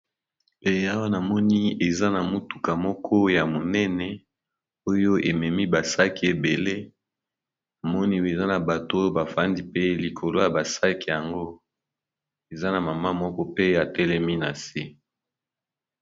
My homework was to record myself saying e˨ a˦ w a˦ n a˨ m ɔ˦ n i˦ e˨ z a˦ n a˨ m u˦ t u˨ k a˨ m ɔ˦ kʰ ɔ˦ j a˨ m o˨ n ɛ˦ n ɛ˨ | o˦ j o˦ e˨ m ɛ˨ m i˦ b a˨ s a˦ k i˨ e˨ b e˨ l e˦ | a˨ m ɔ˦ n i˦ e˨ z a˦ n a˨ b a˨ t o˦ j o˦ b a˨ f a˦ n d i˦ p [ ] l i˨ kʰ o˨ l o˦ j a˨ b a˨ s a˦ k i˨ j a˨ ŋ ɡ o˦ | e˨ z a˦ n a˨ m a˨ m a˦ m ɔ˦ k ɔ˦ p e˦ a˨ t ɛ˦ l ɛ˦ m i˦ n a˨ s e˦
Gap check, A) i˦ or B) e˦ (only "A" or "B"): B